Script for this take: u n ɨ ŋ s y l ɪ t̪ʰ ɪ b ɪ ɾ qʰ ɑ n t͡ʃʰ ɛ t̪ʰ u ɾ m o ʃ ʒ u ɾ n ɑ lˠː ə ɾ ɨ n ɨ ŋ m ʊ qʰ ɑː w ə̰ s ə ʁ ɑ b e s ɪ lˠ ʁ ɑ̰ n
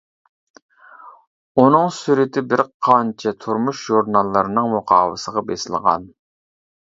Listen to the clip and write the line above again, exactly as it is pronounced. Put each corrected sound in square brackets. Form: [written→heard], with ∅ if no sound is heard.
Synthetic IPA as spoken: u n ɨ ŋ s y [l→ɾ] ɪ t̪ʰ ɪ b ɪ ɾ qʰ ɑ n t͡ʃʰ ɛ t̪ʰ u ɾ m [o→u] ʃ ʒ u ɾ n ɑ lˠː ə ɾ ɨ n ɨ ŋ m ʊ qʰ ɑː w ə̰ s ə ʁ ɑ b e s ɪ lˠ ʁ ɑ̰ n

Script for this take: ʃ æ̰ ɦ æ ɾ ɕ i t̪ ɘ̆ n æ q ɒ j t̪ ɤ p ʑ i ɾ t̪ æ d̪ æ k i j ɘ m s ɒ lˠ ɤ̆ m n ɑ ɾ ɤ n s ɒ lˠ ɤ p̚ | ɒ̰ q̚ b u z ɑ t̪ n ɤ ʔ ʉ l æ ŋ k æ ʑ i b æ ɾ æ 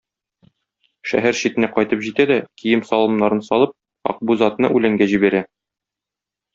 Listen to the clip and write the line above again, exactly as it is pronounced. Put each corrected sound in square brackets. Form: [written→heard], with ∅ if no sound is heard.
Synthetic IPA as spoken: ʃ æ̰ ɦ æ ɾ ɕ i t̪ ɘ̆ n æ q ɒ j t̪ ɤ p ʑ i [ɾ→∅] t̪ æ d̪ æ k i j ɘ m s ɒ lˠ ɤ̆ m n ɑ ɾ ɤ n s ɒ lˠ ɤ p̚ | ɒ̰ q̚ b u z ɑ t̪ n ɤ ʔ ʉ l æ ŋ [k→ɡ] æ ʑ i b æ ɾ æ

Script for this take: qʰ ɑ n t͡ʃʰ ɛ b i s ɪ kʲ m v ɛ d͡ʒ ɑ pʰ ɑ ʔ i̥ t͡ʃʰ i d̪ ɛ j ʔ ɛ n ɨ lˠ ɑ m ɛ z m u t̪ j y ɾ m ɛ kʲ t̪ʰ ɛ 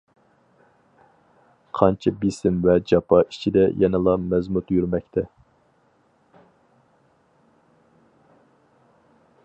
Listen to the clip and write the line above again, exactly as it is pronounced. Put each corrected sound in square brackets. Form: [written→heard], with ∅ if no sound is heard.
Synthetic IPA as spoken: qʰ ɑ n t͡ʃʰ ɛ b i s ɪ [kʲ→∅] m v ɛ d͡ʒ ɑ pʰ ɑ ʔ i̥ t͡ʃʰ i d̪ ɛ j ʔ ɛ n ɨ lˠ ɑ m ɛ z m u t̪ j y ɾ m ɛ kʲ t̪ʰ ɛ

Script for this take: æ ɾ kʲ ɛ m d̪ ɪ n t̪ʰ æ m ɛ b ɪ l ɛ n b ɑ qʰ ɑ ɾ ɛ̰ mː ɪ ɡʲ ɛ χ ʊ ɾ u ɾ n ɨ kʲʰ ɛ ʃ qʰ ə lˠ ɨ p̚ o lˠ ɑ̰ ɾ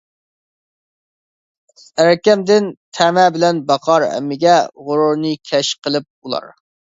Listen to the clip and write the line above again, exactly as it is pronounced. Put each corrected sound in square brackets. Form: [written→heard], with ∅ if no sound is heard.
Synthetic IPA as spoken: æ ɾ kʲ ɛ m d̪ ɪ n t̪ʰ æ m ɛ b ɪ l ɛ n b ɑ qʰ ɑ ɾ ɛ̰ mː ɪ ɡʲ ɛ [χ→ʁ] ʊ ɾ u ɾ n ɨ kʲʰ ɛ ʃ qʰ ə lˠ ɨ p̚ [o→u] lˠ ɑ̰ ɾ

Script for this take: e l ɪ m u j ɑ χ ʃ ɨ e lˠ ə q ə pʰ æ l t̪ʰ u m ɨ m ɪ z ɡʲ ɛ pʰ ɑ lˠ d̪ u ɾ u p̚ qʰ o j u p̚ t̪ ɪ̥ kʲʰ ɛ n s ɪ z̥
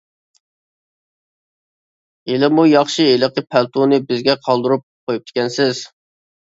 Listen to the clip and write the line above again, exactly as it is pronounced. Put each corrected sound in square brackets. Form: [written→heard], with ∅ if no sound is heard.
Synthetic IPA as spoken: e l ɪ m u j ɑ χ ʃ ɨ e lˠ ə q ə pʰ æ l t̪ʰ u [m→n] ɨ [m→b] ɪ z ɡʲ ɛ [pʰ→qʰ] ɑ lˠ d̪ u ɾ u p̚ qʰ o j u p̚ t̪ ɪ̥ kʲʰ ɛ n s ɪ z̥

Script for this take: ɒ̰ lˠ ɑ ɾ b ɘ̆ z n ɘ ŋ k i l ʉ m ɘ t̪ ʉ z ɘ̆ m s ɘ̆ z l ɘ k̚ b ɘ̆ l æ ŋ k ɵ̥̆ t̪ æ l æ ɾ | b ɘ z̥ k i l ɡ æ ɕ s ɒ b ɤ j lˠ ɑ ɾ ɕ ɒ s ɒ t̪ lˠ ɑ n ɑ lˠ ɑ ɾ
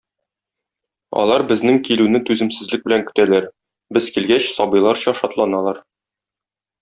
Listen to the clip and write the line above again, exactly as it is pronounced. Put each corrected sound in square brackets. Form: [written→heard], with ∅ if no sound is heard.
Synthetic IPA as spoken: ɒ̰ lˠ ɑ ɾ b ɘ̆ z n ɘ ŋ k i l ʉ [m→n] ɘ t̪ ʉ z ɘ̆ m s ɘ̆ z l ɘ k̚ b ɘ̆ l æ ŋ k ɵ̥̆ t̪ æ l æ ɾ | b ɘ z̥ k i l ɡ æ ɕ s ɒ b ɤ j lˠ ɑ ɾ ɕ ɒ [s→ʃ] ɒ t̪ lˠ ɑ n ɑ lˠ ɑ ɾ

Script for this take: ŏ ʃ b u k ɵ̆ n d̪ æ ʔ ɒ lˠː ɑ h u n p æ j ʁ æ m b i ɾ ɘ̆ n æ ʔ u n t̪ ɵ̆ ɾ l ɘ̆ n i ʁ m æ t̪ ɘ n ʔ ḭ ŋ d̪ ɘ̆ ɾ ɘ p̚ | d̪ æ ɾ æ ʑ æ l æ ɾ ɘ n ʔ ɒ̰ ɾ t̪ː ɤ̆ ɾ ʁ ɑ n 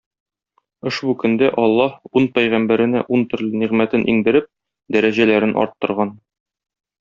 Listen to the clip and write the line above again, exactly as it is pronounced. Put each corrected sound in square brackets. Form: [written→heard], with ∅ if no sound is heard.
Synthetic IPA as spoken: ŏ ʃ b u k ɵ̆ n d̪ æ ʔ ɒ lˠː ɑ h u n p æ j ʁ æ m b [i→æ] ɾ ɘ̆ n æ ʔ u n t̪ ɵ̆ ɾ l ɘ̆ n i ʁ m æ t̪ ɘ n ʔ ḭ ŋ d̪ ɘ̆ ɾ ɘ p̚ | d̪ æ ɾ æ ʑ æ l æ ɾ ɘ n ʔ ɒ̰ ɾ t̪ː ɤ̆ ɾ ʁ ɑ n

